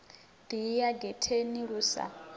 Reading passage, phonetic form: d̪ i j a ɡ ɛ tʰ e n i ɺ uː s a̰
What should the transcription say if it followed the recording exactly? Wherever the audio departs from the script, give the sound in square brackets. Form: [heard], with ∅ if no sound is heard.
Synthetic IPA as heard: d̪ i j a ɡ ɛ tʰ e n i ɺ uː s a̰